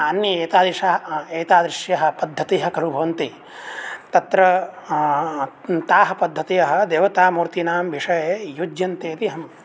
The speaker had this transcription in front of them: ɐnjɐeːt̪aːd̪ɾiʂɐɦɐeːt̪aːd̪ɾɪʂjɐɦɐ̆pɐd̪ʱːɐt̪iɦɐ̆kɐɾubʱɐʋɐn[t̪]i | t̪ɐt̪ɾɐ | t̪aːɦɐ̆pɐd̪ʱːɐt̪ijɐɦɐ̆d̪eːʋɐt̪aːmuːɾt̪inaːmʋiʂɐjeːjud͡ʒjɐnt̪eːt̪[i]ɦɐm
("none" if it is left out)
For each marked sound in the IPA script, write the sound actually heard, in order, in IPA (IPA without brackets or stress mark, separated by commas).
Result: t̪, i